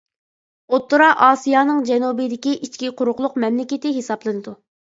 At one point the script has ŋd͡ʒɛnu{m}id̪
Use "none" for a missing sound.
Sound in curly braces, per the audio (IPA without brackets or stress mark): b